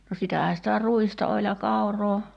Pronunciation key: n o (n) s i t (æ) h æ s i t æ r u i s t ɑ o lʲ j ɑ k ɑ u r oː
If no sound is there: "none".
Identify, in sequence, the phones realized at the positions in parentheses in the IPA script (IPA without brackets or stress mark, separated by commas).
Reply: none, æ